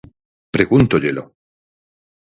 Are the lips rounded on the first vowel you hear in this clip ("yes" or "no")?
no